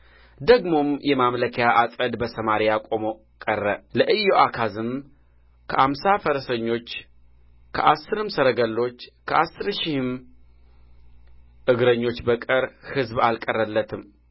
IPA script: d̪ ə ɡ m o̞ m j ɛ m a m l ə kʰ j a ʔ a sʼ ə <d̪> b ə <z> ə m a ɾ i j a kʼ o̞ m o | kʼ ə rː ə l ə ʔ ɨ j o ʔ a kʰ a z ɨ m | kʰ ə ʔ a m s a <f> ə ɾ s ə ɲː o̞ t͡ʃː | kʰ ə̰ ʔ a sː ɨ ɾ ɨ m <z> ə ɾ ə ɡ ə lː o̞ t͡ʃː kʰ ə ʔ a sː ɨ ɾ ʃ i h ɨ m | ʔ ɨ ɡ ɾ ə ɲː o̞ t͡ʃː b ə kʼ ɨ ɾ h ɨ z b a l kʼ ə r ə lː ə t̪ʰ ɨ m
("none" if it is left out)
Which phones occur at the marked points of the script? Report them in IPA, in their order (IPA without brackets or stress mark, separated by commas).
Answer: d̪, s, f, s